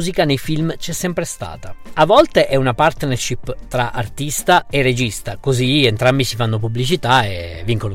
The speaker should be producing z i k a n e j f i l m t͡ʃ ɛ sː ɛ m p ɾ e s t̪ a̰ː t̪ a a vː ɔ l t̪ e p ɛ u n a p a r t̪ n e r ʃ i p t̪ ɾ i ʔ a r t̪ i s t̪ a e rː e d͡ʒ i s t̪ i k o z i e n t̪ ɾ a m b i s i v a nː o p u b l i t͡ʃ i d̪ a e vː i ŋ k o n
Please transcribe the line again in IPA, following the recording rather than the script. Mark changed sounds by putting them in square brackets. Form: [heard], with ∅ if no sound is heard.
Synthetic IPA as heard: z i k a n e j f i l m t͡ʃ ɛ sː ɛ m p ɾ e s t̪ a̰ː t̪ a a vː ɔ l t̪ e [ʔ] ɛ u n a p a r t̪ n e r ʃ i p t̪ ɾ [a] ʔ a r t̪ i s t̪ a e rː e d͡ʒ i s t̪ [a] k o z i e n t̪ ɾ a m b i s i [f] a nː o p u b l i t͡ʃ i [t̪] a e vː i ŋ k o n